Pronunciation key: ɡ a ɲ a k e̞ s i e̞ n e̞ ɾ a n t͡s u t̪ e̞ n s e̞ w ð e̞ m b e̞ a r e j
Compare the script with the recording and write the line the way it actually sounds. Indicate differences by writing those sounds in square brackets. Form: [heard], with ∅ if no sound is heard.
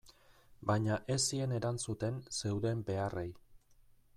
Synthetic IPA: [b] a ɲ a [ʔ] e̞ s i e̞ n e̞ ɾ a n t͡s u t̪ e̞ n s e̞ w ð e̞ m b e̞ a r e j

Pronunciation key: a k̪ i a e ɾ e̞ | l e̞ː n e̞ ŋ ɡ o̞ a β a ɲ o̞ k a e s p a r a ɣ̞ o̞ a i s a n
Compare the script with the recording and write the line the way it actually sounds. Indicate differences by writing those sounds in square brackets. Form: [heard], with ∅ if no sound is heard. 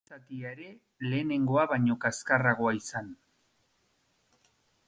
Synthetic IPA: a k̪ i a e ɾ e̞ | l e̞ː n e̞ ŋ ɡ o̞ a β a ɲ o̞ k a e s [k] a r a ɣ̞ o̞ a i s a n

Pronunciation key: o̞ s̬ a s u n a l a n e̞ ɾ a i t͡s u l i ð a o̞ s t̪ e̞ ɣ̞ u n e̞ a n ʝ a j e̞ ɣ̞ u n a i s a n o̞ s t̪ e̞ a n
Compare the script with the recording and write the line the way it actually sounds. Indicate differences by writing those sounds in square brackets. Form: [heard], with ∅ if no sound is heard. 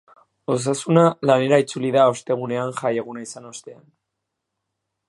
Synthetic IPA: o̞ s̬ a s u n a l a n e̞ ɾ a i t͡s u l i ð a o̞ s t̪ e̞ ɣ̞ u n e̞ a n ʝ a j e̞ ɣ̞ u n a i s a n o̞ s t̪ e̞ a n

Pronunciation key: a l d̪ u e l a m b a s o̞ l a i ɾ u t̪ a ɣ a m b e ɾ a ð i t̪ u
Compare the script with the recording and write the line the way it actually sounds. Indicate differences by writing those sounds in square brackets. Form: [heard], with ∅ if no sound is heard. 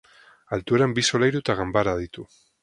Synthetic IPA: a l [t̪] u e [ɾ] a m b [i] s o̞ l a [j] ɾ u t̪ a ɣ a m b [a] ɾ a ð i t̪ u

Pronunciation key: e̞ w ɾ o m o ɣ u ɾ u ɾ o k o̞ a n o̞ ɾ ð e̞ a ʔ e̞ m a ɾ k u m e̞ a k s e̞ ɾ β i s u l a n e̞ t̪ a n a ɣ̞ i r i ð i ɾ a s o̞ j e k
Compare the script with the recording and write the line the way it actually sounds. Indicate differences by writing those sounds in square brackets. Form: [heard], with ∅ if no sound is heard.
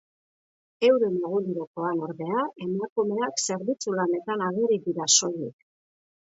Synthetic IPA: e̞ w ɾ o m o ɣ u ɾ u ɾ o k o̞ a n o̞ ɾ ð e̞ a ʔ e̞ m a [∅] k u m e̞ a k s e̞ ɾ β i [t͡s] u l a n e̞ t̪ a n a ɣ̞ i r i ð i ɾ a s o̞ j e k

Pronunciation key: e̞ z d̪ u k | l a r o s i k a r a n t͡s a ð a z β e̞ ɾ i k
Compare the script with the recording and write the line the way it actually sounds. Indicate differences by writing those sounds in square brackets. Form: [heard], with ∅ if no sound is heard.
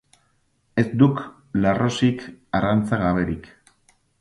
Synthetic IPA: e̞ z d̪ u k | l a r o s i k a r a n t͡s a [ɣ] a [∅] β e̞ ɾ i k

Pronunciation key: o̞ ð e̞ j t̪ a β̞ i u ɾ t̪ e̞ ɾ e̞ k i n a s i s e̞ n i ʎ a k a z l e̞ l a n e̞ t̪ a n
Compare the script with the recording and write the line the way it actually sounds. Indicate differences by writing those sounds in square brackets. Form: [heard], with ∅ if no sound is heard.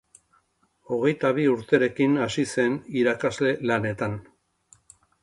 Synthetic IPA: o̞ [ɣ] e̞ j t̪ a β̞ i u ɾ t̪ e̞ ɾ e̞ k i n a s i s e̞ n i [ɾ] a k a z l e̞ l a n e̞ t̪ a n

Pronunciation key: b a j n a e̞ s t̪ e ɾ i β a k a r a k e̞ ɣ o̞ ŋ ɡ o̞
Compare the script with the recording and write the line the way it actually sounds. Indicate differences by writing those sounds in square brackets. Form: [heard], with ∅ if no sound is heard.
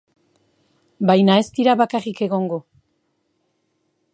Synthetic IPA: b a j n a e̞ s t̪ [i] ɾ [a] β a k a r [i] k e̞ ɣ o̞ ŋ ɡ o̞

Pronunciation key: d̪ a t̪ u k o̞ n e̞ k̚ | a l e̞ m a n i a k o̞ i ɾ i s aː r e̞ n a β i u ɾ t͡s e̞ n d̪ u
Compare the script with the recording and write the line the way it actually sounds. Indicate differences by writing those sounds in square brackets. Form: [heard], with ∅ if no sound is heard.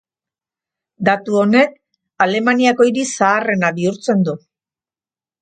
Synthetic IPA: d̪ a t̪ u [∅] o̞ n e̞ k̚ | a l e̞ m a n i a k o̞ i ɾ i s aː r e̞ n a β i u ɾ t͡s e̞ n d̪ u

